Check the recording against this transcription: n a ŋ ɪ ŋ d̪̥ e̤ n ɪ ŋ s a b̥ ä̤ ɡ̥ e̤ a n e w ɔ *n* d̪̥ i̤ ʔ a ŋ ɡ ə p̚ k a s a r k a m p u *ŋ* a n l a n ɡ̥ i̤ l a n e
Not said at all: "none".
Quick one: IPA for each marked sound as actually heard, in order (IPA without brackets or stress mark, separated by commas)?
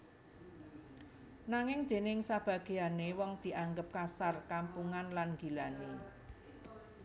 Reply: ŋ, ŋ